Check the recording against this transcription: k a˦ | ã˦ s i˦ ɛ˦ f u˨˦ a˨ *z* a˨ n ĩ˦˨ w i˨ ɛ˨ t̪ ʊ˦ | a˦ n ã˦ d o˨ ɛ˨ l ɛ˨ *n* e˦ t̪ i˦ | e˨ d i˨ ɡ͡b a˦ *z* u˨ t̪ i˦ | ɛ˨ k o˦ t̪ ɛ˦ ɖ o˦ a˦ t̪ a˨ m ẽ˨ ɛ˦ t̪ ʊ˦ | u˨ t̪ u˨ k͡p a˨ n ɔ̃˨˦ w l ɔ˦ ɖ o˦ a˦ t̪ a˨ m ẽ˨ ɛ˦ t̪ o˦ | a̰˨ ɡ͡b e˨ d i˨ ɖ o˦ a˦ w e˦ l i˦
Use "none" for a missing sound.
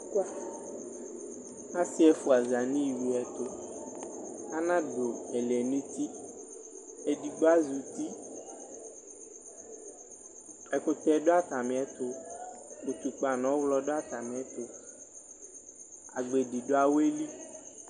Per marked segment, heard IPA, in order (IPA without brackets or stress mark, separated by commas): z, n, z